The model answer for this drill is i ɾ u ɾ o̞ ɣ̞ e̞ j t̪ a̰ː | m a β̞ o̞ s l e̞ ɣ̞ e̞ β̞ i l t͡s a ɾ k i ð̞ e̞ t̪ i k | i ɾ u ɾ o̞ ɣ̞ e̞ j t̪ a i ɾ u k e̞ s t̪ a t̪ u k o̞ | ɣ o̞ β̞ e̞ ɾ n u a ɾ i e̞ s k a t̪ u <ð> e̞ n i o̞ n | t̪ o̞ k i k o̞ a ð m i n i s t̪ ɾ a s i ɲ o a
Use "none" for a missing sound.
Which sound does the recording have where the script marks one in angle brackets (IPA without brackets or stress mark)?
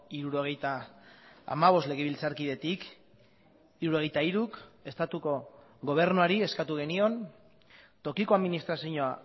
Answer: ɣ